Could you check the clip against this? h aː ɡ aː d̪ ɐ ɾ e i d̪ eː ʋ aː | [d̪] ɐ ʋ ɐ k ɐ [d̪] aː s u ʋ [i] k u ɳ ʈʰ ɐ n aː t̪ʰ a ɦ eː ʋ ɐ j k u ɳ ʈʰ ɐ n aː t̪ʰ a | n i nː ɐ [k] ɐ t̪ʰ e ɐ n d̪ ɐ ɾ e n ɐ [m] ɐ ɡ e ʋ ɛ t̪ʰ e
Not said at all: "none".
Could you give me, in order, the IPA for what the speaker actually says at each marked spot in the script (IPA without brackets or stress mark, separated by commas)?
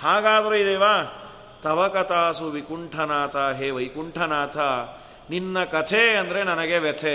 t̪, t̪, i, k, n